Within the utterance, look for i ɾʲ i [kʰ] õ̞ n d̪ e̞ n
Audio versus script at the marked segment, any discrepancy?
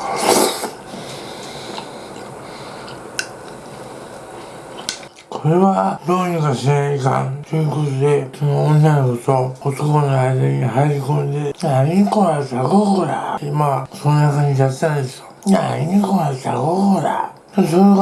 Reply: yes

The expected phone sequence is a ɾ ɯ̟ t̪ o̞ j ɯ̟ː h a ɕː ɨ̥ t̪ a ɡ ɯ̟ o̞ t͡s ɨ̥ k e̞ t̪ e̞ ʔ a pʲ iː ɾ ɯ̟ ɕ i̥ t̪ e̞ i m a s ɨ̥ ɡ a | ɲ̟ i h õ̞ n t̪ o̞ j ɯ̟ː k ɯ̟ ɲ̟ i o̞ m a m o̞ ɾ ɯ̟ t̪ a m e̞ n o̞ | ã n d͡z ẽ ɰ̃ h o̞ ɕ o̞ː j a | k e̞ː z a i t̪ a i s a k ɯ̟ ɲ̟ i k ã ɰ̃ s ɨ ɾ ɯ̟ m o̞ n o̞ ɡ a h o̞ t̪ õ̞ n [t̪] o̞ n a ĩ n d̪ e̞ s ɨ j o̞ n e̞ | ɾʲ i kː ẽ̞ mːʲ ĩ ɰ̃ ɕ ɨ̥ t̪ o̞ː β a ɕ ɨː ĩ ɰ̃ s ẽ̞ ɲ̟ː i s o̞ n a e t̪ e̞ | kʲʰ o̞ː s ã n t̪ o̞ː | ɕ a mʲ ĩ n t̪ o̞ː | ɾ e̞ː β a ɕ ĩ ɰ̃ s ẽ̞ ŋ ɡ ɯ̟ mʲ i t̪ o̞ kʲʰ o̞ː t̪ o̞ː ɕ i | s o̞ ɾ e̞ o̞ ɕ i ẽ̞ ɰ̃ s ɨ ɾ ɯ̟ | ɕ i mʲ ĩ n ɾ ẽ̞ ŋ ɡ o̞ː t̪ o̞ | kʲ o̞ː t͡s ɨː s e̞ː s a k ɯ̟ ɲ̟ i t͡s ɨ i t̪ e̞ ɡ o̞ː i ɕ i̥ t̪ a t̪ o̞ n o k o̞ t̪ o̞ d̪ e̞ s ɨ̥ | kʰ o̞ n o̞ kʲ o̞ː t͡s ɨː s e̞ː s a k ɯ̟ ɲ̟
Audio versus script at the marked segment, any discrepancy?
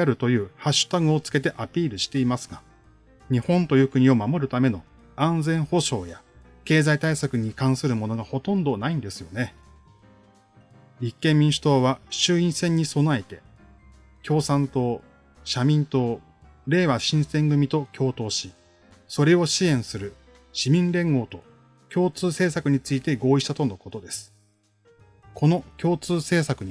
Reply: yes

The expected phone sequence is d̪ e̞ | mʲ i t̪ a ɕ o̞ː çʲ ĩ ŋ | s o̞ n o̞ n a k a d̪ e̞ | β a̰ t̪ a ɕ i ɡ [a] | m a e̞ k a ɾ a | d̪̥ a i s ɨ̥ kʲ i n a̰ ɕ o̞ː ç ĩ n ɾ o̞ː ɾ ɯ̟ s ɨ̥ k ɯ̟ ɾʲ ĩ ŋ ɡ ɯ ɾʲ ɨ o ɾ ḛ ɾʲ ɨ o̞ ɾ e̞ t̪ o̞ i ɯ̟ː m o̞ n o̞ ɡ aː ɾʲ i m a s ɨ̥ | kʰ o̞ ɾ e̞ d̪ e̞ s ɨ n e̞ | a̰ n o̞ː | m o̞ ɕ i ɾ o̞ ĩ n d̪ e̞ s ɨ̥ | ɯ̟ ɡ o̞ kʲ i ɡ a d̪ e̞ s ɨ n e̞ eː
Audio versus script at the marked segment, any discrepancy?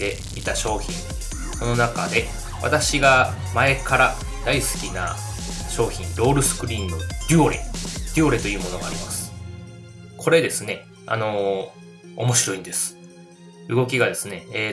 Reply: no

